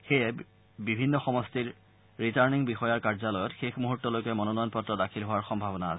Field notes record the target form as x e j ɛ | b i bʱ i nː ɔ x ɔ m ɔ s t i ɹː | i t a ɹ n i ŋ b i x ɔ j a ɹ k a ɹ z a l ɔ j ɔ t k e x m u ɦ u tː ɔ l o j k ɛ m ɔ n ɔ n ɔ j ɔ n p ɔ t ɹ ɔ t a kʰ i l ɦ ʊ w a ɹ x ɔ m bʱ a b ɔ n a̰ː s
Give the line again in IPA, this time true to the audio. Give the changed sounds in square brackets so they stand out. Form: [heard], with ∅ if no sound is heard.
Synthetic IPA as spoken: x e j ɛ | b i bʱ i nː ɔ x ɔ m ɔ s t i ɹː | i t a ɹ n i ŋ b i x ɔ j a ɹ k a ɹ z a l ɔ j ɔ t [x] e x m u ɦ u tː ɔ l o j k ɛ m ɔ n ɔ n ɔ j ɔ n p ɔ t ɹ ɔ [d] a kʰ i l ɦ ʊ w a ɹ x ɔ m bʱ a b ɔ n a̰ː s